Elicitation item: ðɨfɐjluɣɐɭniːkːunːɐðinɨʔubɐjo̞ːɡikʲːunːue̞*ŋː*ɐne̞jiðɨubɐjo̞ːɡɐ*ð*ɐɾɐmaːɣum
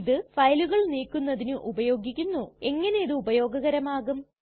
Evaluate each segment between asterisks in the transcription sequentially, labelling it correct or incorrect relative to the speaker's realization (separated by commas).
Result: correct, incorrect